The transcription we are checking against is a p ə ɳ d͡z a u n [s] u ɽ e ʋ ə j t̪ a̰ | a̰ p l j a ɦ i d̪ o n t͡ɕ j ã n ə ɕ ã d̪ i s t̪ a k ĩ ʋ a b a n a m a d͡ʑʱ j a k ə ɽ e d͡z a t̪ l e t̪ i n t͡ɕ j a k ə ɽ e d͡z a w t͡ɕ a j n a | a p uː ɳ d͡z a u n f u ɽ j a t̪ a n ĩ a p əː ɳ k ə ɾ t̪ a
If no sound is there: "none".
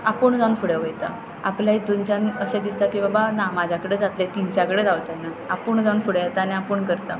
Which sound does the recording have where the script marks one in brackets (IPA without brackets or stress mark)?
f